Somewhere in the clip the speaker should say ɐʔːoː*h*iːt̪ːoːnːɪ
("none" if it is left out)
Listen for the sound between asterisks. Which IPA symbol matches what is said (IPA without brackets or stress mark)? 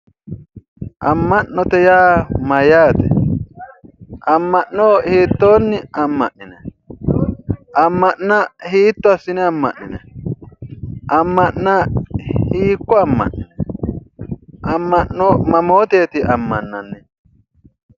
h